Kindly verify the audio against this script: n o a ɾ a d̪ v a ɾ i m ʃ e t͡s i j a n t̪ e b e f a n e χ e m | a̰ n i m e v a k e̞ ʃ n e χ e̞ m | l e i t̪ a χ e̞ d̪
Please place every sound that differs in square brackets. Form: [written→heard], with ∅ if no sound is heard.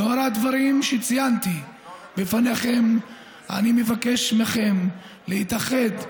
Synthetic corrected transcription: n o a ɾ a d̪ v a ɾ i m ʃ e t͡s i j a n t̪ [e→i] b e f a n e χ e m | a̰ n i m e v a k e̞ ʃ [n→m] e χ e̞ m | l e i t̪ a χ e̞ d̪